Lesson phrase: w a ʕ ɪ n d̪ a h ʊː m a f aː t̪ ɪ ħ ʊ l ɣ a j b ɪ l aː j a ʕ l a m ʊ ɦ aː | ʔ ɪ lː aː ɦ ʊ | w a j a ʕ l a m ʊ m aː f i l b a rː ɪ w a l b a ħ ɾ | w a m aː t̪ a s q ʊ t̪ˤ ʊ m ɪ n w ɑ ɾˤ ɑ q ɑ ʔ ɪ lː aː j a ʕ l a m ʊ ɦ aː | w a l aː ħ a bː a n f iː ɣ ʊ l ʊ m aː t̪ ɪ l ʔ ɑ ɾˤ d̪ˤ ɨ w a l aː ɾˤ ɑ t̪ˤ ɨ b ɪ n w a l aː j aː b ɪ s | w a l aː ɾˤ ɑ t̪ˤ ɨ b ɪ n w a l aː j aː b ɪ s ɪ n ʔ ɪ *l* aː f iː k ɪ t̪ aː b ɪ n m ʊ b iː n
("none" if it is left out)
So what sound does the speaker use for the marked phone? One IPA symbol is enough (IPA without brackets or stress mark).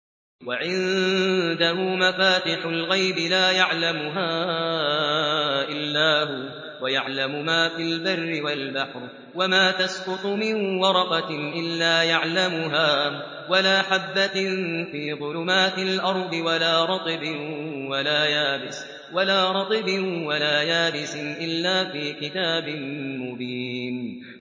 lː